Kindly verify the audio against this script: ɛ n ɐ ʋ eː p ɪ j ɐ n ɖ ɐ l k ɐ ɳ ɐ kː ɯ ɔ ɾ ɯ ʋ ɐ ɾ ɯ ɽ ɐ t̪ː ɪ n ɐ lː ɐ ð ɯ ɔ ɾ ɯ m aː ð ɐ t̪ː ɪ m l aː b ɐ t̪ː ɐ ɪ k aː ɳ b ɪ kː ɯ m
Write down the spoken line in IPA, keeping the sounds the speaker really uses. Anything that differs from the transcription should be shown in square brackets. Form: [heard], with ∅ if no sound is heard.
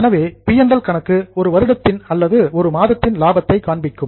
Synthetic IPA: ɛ n ɐ ʋ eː p ɪ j ɐ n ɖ ɐ l k ɐ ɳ ɐ kː ɯ ɔ ɾ ɯ ʋ ɐ ɾ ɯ ɽ ɐ t̪ː ɪ n ɐ lː ɐ ð ɯ ɔ ɾ ɯ m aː ð ɐ t̪ː ɪ [n] l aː b ɐ t̪ː ɐ ɪ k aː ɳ b ɪ kː ɯ m